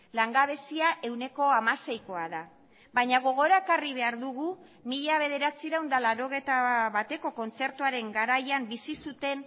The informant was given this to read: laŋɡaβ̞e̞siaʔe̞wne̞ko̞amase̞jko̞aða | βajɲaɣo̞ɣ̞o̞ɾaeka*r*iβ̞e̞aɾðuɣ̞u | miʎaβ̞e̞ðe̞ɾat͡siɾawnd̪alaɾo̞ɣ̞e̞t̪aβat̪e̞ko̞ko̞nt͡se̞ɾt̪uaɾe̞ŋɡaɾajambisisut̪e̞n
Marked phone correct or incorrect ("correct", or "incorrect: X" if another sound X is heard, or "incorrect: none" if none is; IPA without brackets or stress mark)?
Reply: correct